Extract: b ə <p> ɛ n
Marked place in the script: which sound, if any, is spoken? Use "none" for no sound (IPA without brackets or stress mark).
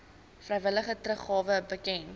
k